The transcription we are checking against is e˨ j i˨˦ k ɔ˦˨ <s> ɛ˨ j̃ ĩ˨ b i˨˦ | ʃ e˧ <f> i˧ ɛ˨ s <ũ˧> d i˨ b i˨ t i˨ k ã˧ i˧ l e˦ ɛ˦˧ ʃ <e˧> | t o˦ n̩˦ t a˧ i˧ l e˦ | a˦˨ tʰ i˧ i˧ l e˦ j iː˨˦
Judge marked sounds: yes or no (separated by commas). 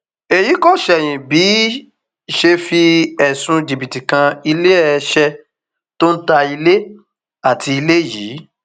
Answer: no, yes, yes, no